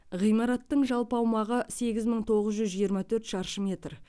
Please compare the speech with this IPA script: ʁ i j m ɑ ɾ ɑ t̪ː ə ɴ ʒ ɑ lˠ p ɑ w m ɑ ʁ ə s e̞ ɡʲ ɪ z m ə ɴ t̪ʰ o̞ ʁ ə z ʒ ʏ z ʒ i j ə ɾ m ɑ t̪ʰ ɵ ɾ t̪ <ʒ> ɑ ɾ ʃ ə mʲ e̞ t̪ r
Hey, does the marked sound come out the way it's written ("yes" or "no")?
no